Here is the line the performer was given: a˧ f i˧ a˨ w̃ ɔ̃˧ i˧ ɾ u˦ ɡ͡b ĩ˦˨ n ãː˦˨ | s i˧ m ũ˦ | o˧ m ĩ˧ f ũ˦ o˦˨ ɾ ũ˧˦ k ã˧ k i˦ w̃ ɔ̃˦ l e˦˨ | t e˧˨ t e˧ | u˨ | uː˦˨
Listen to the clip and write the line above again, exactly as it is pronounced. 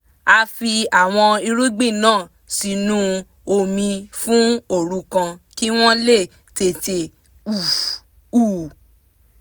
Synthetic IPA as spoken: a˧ f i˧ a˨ w̃ ɔ̃˧ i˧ ɾ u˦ ɡ͡b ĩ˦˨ n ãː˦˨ | s i˧ n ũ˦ | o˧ m ĩ˧ f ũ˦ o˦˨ ɾ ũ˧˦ k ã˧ k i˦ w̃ ɔ̃˦ l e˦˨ | t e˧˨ t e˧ | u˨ | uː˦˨

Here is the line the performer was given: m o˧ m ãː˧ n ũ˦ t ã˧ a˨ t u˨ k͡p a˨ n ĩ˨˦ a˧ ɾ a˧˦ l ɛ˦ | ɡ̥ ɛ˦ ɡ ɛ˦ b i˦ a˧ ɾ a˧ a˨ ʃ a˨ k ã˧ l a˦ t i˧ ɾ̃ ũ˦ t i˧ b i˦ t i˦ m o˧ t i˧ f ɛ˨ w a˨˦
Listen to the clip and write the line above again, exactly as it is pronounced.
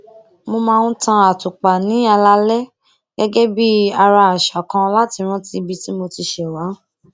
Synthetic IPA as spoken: m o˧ m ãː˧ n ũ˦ t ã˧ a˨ t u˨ k͡p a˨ n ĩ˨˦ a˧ l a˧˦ l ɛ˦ | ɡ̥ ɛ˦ ɡ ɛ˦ b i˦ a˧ ɾ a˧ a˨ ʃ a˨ k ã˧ l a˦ t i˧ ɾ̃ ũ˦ t i˧ b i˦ t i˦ m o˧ t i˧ ʃ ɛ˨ w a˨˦

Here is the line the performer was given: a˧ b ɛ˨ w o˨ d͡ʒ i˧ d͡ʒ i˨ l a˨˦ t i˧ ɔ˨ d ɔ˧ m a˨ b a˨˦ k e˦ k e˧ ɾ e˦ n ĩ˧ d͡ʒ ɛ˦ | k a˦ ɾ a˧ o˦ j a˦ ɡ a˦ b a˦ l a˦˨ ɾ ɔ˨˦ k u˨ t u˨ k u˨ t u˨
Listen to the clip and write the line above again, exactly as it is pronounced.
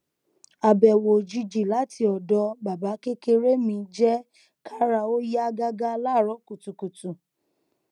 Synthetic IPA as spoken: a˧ b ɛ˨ w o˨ d͡ʒ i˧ d͡ʒ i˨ l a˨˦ t i˧ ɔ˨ d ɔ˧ b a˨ b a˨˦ k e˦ k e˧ ɾ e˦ m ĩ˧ d͡ʒ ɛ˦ | k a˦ ɾ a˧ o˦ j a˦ ɡ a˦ ɡ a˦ l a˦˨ ɾ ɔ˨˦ k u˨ t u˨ k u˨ t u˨

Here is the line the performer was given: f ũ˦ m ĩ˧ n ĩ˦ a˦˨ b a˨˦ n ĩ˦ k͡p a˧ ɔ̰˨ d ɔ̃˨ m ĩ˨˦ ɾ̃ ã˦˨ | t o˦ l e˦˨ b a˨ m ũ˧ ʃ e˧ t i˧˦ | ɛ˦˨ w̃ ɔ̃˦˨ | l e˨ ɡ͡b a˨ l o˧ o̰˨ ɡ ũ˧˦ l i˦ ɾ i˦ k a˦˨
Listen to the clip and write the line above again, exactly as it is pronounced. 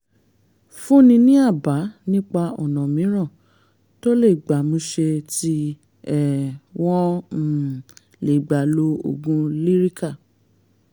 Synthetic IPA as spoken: f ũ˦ n ĩ˧ n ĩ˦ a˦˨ b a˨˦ n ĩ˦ k͡p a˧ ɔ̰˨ n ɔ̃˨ m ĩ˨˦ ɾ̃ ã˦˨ | t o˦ l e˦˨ ɡ͡b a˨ m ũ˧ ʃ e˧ t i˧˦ | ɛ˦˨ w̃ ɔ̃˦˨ | l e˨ ɡ͡b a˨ l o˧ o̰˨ ɡ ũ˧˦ l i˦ ɾ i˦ k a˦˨

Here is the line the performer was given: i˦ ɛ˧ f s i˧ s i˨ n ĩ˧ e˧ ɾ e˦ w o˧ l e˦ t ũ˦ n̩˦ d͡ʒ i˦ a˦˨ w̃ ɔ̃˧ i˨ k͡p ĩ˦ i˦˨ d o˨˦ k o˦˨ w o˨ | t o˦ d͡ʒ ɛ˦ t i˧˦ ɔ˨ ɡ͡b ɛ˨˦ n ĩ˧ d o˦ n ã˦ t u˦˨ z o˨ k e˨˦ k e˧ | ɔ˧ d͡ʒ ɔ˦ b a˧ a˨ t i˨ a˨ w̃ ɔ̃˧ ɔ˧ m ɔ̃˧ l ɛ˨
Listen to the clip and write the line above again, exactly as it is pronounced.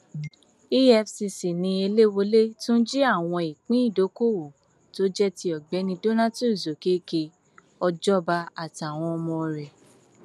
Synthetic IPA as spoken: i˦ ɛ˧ f s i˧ s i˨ n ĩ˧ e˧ l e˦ w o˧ l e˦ t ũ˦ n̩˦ d͡ʒ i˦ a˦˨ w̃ ɔ̃˧ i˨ k͡p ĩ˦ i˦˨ d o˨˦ k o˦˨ w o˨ | t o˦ d͡ʒ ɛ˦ t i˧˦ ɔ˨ ɡ͡b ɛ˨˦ n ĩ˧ d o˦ n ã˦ t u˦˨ z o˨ k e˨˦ k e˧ | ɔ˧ d͡ʒ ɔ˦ b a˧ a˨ t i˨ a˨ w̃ ɔ̃˧ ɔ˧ m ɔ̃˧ ɾ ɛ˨

